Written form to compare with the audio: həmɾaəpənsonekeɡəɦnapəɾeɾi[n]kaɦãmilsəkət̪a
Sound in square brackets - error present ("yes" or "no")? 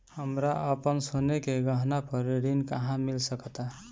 no